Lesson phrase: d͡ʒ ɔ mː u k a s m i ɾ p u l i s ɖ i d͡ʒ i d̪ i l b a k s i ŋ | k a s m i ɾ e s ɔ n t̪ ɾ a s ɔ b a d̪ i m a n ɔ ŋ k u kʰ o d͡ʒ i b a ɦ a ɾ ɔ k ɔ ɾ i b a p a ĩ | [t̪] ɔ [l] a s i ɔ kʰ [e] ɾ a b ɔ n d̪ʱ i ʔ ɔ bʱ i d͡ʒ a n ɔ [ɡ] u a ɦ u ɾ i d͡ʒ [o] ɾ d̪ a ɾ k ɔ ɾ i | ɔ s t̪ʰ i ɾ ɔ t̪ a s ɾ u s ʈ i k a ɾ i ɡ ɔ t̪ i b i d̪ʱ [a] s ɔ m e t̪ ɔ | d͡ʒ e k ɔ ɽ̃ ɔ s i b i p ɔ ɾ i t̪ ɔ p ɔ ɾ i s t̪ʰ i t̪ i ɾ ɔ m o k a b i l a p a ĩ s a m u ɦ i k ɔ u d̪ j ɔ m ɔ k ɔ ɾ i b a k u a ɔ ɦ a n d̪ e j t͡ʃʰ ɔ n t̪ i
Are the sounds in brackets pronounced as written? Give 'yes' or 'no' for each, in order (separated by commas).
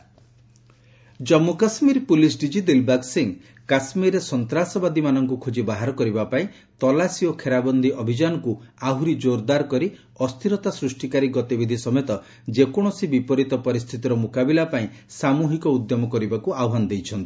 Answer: yes, yes, yes, no, yes, no